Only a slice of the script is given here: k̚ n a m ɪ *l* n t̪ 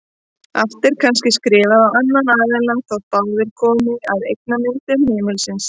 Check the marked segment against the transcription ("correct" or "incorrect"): incorrect